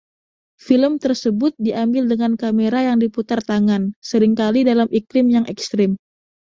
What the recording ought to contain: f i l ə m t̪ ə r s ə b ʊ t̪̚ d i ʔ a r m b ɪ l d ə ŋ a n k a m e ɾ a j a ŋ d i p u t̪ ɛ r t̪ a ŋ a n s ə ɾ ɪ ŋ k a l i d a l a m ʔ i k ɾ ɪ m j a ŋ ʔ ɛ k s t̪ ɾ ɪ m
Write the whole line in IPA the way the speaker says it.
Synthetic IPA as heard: f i l ə m t̪ ə r s ə b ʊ t̪̚ d i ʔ a m b ɪ l d ə ŋ a n k a m e ɾ a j a ŋ d i p u t̪ a r t̪ a ŋ a n s ə ɾ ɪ ŋ k a l i d a l a m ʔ i k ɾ ɪ m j a ŋ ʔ ɛ k s t̪ ɾ ɪ m